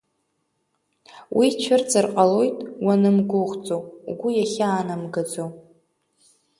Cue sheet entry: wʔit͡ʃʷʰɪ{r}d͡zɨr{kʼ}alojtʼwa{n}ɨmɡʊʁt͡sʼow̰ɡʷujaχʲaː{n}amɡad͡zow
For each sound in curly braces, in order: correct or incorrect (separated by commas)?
correct, incorrect, correct, correct